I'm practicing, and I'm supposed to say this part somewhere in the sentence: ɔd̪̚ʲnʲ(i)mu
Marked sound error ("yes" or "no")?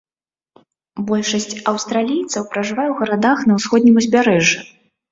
no